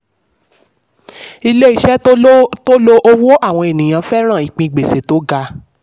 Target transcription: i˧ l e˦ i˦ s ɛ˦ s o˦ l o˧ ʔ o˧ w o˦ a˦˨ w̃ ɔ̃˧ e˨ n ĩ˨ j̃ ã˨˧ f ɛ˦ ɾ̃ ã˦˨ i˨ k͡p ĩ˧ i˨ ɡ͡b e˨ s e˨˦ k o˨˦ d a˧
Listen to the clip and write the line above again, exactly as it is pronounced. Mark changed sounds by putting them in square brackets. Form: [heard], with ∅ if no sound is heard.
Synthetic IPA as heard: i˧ l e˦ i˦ [ʃ] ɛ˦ [t] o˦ l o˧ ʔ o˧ w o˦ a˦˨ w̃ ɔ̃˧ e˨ n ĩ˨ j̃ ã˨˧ f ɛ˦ ɾ̃ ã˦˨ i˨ k͡p ĩ˧ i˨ ɡ͡b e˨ s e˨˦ [t] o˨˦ [ɡ] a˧